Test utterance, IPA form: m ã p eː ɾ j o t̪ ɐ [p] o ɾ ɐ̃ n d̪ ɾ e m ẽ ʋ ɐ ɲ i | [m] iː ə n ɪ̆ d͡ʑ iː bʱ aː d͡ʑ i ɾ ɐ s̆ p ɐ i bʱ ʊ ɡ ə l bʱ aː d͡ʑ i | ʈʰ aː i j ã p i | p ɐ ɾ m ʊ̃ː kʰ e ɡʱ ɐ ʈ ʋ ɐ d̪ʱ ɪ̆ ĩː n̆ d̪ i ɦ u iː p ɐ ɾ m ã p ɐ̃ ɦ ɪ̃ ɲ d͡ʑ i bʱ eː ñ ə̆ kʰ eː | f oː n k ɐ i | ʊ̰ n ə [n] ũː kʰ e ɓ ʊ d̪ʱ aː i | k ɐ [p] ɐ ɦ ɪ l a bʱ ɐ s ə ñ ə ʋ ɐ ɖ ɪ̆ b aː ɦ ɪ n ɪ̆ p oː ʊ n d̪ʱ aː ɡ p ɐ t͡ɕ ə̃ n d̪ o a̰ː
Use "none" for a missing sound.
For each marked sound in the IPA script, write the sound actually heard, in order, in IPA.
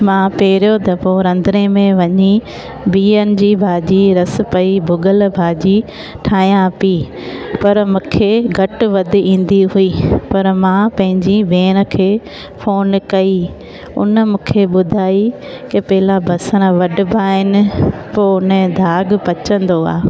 p, b, m, p

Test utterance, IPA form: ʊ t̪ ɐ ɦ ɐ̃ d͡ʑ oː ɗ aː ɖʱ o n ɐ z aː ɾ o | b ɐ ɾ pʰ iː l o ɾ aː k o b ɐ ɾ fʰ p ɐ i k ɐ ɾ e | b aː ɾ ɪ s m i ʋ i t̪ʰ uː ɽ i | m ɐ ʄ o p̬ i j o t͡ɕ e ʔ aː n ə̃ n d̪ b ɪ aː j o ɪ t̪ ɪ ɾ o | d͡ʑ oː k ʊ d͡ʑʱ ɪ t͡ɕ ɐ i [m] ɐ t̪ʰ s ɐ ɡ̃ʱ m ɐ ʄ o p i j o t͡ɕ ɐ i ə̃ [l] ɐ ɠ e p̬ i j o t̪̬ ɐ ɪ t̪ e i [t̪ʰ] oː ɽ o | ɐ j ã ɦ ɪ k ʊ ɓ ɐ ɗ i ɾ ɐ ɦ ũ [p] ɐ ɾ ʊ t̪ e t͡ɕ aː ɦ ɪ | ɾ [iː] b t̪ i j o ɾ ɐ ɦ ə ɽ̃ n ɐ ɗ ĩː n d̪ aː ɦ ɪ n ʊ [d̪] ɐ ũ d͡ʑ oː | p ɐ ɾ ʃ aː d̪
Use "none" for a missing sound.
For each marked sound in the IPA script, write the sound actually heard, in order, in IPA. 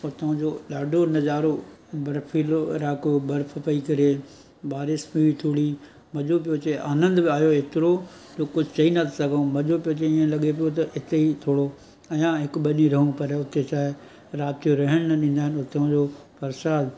n, l, t̪ʰ, p, aː, t̪

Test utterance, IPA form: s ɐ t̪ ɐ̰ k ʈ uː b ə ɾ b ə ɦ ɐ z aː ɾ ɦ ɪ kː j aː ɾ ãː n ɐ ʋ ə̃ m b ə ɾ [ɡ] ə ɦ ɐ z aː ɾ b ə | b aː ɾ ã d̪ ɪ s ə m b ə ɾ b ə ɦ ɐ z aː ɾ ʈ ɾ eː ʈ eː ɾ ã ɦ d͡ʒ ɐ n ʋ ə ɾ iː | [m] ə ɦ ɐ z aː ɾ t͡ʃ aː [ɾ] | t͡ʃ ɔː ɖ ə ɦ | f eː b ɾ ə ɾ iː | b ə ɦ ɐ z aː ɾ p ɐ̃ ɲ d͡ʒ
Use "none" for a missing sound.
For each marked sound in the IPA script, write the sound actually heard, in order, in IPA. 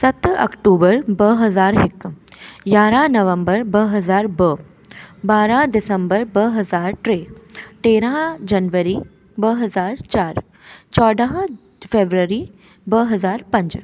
b, b, ɾ

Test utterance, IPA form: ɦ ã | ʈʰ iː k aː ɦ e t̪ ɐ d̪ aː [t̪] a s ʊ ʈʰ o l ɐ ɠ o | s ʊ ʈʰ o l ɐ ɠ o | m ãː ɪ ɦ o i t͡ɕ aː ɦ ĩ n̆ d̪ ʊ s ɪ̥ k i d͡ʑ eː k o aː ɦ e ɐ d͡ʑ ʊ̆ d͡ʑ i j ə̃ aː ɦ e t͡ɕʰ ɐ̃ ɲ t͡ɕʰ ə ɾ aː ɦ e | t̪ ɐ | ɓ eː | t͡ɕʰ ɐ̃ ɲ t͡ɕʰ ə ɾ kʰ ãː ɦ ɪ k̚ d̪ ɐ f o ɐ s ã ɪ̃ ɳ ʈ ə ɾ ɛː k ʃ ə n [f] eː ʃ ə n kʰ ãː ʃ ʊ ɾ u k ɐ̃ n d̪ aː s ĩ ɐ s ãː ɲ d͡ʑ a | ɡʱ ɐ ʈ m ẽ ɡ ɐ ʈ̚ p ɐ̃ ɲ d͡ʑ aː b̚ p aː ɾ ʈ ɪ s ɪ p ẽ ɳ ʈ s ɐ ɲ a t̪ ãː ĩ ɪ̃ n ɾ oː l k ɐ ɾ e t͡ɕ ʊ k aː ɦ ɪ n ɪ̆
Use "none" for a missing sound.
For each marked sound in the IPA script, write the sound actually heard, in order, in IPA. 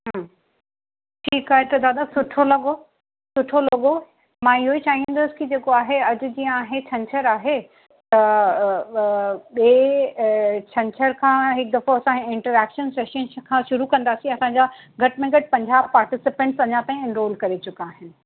d̪, s

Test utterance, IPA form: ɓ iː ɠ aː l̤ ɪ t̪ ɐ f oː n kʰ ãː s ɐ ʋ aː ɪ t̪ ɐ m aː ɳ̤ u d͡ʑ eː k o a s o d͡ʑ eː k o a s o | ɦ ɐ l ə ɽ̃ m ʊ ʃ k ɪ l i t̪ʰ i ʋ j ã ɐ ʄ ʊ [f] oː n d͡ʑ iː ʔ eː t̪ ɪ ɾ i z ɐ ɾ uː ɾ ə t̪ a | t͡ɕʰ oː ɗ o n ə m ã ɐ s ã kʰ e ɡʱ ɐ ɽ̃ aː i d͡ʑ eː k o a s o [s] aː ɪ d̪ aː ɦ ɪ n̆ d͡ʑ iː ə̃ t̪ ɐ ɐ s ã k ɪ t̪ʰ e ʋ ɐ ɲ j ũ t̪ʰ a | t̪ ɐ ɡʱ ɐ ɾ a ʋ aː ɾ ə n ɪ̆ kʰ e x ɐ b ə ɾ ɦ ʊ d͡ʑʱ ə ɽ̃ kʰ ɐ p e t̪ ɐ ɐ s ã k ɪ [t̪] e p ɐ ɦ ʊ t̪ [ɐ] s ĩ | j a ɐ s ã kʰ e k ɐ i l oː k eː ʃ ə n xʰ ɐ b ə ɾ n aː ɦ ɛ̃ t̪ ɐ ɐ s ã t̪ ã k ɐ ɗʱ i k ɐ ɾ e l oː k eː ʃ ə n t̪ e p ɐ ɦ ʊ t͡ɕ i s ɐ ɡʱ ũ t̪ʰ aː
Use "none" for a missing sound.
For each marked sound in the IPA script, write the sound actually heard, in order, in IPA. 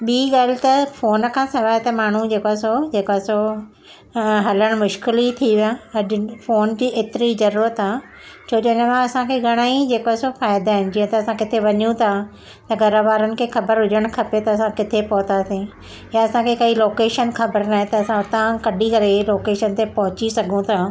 f, f, t̪ʰ, a

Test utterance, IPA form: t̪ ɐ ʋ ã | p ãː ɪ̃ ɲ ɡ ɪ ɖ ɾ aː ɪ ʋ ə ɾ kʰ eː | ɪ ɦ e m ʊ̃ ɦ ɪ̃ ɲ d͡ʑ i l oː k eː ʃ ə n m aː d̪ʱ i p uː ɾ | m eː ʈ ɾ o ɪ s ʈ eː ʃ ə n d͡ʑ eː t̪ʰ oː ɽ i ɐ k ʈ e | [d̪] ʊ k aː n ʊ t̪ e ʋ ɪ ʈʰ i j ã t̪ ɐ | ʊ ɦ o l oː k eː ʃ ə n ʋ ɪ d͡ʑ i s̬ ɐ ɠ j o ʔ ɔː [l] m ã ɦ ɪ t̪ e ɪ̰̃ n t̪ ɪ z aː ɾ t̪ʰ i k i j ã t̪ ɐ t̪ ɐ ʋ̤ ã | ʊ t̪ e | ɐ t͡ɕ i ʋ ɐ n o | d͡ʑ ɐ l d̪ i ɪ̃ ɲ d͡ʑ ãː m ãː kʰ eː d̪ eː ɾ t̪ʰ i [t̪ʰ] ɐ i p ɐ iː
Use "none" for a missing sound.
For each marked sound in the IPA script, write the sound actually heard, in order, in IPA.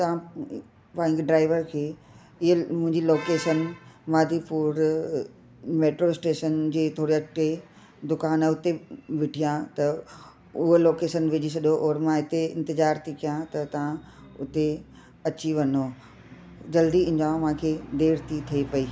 d̪, ɾ, t̪ʰ

